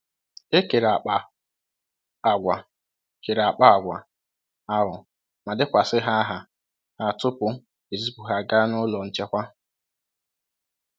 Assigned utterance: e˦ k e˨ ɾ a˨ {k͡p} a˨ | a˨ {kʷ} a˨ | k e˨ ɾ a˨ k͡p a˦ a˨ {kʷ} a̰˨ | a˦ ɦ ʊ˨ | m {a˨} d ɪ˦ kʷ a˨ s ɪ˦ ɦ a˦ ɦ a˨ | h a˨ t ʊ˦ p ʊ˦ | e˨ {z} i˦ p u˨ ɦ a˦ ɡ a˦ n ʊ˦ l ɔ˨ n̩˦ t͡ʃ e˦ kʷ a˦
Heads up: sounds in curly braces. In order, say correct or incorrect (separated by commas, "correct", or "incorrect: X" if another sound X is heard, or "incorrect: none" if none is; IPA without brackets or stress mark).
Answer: correct, incorrect: ɡʷ, incorrect: ɡʷ, correct, correct